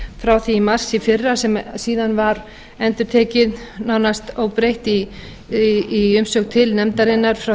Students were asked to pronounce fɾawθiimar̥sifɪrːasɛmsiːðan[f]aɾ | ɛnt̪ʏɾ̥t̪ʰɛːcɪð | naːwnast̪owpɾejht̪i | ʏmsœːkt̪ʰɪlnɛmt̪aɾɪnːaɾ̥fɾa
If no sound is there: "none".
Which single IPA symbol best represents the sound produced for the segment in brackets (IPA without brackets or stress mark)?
v